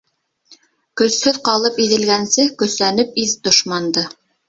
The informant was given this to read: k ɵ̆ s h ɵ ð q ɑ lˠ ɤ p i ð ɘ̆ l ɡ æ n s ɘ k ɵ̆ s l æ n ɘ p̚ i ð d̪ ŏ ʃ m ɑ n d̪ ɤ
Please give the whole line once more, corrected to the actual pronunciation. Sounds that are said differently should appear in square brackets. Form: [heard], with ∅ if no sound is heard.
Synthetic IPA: k ɵ̆ s h ɵ ð q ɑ lˠ ɤ p i ð ɘ̆ l ɡ æ n s ɘ k ɵ̆ s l æ n ɘ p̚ i ð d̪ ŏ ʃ m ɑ n d̪ ɤ